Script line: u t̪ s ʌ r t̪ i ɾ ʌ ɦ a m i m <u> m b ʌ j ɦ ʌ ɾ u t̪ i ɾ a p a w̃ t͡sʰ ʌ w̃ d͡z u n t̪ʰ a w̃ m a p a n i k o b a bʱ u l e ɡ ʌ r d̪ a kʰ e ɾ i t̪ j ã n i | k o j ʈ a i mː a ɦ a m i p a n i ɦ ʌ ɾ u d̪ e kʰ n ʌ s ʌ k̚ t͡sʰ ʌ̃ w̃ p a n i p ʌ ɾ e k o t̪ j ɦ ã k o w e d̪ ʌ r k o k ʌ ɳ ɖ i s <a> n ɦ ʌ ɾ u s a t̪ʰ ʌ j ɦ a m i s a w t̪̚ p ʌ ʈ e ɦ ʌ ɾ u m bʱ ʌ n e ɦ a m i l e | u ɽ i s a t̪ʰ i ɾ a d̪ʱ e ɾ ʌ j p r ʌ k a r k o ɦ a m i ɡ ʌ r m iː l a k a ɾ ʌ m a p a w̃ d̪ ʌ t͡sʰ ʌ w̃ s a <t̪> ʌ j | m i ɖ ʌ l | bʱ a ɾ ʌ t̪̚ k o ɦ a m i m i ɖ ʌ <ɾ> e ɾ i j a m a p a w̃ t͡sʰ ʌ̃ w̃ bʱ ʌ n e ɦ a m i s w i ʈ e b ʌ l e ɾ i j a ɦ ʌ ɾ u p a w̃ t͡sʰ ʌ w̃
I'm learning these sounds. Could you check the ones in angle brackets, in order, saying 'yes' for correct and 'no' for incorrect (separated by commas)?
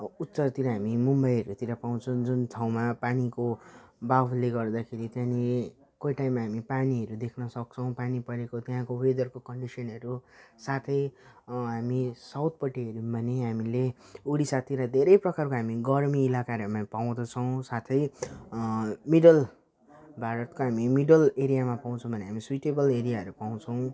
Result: yes, no, no, no